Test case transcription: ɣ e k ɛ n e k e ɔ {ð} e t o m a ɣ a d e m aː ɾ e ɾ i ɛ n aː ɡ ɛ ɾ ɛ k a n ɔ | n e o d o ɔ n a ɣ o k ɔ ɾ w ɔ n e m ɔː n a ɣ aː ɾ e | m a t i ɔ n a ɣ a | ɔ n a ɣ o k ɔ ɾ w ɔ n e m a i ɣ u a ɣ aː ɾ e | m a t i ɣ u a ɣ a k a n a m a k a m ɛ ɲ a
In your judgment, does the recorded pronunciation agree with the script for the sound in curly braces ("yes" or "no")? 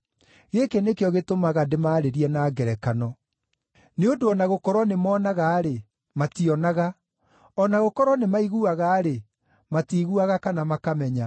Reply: no